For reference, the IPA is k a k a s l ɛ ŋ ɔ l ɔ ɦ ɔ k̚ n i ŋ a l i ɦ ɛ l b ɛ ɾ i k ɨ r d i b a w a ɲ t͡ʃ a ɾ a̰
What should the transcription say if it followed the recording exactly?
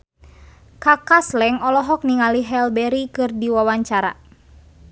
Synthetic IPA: k a k a s l ɛ ŋ ɔ l ɔ ɦ ɔ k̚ n i ŋ a l i ɦ ɛ l b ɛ ɾ i k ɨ r d i w a w a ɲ t͡ʃ a ɾ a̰